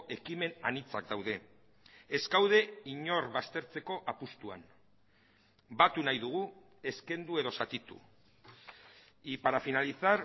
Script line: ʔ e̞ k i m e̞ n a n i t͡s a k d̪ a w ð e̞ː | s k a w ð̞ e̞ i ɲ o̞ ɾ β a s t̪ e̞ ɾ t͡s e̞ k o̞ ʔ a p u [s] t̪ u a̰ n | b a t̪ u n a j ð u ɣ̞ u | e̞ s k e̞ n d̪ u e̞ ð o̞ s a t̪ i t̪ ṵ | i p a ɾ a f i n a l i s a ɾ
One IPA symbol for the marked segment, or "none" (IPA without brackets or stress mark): s